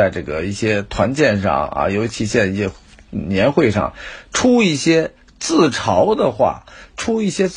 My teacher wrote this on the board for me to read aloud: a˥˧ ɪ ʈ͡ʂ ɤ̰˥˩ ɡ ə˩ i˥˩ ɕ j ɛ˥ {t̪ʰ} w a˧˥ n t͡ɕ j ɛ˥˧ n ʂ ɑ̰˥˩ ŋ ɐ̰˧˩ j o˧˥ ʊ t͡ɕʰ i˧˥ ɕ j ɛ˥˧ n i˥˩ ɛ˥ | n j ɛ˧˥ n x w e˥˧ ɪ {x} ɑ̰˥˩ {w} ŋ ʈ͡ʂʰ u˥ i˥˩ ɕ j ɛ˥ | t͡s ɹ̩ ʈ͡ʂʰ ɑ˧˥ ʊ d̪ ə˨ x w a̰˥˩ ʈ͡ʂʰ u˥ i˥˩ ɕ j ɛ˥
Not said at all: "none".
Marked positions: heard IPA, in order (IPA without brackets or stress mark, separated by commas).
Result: t̪ʰ, ʂ, none